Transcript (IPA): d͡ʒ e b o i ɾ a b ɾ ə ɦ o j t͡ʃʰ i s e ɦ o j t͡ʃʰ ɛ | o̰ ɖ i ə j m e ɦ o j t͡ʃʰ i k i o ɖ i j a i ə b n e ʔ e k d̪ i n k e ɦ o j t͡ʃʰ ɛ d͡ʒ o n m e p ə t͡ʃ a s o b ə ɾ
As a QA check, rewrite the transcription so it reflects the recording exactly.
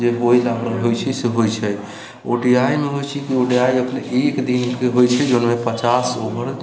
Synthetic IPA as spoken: d͡ʒ e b o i l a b ɾ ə ɦ o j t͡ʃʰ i s e ɦ o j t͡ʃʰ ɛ | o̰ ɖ i a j m e ɦ o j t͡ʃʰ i k i o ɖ i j a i ə p n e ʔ e k d̪ i n k e ɦ o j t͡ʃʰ ɛ d͡ʒ o n m e p ə t͡ʃ a s o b ə ɾ